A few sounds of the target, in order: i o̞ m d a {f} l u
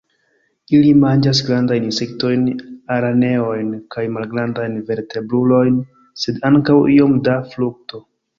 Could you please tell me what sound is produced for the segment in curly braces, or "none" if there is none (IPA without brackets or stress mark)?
f